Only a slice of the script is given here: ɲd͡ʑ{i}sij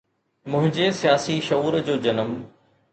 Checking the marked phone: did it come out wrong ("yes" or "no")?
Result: yes